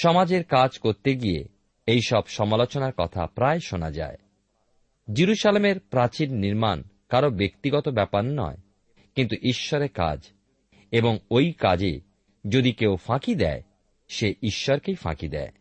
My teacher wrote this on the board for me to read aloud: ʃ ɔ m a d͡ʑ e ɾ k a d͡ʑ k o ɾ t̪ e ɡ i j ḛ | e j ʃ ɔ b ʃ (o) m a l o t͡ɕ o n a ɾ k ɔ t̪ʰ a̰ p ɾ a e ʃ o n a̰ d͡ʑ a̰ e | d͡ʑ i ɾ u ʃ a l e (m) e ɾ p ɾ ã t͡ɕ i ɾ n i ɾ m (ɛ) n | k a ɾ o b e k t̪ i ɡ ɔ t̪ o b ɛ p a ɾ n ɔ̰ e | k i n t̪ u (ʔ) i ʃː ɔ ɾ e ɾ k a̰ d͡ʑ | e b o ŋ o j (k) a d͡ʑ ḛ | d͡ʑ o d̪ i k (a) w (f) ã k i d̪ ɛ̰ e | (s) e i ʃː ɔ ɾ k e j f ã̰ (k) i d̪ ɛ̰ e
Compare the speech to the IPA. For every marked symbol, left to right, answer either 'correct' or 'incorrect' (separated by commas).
incorrect, correct, incorrect, correct, correct, incorrect, correct, incorrect, correct